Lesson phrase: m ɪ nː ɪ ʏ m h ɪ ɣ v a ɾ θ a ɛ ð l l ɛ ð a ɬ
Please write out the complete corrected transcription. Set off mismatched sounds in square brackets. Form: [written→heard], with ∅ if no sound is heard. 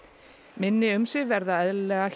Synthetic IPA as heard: m ɪ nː ɪ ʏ m [h→s] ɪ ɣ v [a→ɛ] ɾ [θ→ð] a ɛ ð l l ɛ [ð→ɣ] a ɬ